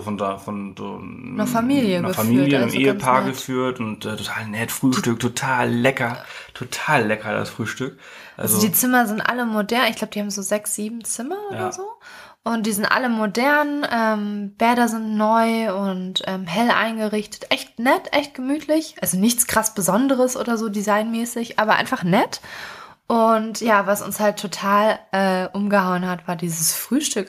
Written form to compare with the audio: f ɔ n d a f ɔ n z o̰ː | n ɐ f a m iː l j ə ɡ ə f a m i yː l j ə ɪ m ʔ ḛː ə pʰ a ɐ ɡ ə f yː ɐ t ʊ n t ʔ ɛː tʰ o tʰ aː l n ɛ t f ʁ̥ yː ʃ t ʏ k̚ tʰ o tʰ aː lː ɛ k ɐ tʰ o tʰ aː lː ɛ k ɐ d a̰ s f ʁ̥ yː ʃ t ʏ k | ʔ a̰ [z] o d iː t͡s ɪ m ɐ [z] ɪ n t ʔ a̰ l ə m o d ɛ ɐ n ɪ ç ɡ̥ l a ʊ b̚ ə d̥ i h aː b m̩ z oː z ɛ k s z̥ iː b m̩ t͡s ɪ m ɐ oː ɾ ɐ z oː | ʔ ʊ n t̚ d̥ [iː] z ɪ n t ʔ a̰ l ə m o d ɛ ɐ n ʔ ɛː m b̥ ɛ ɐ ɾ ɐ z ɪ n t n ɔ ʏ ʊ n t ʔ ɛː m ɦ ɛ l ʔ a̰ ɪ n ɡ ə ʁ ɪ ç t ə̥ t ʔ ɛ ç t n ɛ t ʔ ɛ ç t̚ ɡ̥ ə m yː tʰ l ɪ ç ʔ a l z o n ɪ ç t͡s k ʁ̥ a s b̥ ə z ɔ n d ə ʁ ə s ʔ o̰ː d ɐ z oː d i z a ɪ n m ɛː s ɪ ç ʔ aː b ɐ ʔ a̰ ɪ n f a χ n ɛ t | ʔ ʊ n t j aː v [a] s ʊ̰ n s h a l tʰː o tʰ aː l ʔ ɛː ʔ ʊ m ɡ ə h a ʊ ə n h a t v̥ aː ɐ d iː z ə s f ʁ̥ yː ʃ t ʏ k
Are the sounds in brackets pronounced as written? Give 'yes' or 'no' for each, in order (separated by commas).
yes, yes, yes, yes